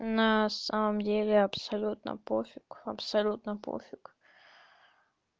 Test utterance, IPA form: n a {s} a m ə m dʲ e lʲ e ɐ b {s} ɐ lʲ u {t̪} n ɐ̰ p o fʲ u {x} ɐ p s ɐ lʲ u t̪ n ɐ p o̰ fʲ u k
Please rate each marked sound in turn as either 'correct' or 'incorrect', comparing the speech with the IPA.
correct, correct, correct, incorrect: k

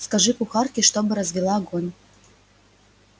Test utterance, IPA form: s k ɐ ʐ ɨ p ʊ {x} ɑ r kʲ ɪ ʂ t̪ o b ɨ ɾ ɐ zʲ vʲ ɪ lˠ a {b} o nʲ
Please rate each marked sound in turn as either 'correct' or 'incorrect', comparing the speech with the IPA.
correct, incorrect: ɡ

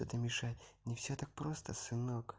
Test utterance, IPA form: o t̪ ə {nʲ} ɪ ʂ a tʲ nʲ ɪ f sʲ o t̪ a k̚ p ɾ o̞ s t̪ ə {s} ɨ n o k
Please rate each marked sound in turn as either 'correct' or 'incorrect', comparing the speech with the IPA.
incorrect: mʲ, correct

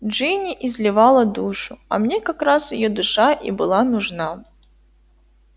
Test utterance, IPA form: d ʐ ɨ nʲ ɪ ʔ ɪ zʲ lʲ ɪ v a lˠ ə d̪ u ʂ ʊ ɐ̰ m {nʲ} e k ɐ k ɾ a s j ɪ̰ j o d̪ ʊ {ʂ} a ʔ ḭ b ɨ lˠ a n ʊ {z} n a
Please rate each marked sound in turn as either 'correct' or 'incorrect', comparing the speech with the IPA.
correct, correct, incorrect: ʐ

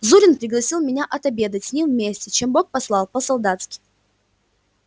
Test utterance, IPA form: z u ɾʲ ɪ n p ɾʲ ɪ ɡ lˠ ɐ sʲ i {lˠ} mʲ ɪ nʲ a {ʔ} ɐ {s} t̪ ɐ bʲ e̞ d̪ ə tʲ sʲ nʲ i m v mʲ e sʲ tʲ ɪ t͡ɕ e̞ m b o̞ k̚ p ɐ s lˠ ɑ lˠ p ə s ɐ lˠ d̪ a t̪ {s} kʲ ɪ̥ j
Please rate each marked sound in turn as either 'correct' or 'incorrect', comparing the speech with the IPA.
correct, correct, incorrect: none, correct

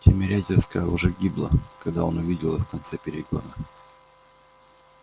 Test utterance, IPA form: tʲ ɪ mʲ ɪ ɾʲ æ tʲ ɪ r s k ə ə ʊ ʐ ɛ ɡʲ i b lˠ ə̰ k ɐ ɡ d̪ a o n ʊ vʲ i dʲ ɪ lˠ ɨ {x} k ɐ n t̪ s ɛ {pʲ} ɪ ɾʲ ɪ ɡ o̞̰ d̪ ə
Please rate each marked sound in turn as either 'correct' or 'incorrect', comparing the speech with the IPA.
incorrect: f, correct

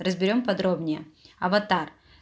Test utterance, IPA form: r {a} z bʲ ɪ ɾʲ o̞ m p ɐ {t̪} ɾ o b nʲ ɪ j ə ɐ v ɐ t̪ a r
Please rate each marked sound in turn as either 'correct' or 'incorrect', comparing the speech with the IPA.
incorrect: ə, incorrect: d̪

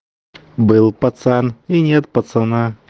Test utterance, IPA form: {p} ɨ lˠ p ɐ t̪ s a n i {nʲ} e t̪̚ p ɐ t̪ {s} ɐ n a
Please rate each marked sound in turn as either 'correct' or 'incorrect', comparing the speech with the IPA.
incorrect: b, correct, correct

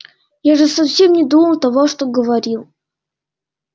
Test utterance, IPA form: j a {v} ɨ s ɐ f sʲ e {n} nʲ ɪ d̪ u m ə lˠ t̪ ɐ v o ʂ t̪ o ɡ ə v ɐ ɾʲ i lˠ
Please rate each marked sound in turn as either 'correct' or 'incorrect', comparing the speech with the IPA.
incorrect: ʐ, incorrect: m

